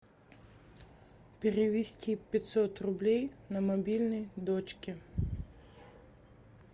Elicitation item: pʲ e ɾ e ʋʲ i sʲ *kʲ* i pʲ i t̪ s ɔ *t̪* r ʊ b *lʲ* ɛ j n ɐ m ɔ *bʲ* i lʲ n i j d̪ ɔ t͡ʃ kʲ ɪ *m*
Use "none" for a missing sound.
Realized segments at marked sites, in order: tʲ, t̪, lʲ, bʲ, none

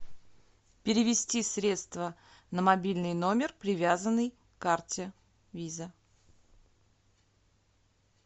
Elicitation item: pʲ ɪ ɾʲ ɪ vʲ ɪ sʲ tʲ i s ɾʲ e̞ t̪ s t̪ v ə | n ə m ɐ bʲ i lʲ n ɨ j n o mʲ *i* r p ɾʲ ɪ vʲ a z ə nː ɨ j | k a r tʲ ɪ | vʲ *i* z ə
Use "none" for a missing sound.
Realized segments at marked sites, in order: ɪ, i

